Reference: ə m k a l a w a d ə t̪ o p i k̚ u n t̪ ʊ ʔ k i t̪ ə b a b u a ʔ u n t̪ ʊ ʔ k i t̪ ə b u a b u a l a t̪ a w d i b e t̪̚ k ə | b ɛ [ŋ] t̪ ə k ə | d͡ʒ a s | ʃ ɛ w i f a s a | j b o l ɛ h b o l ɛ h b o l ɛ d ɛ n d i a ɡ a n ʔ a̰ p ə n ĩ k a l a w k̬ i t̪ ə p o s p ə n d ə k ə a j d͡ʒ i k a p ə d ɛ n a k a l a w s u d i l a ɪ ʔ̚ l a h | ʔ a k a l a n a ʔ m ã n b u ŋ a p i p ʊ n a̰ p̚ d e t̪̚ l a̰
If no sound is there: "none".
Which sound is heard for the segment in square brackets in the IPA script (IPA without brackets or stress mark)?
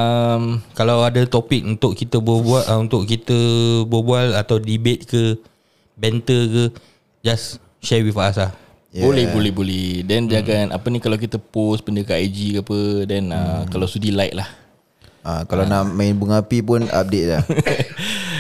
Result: n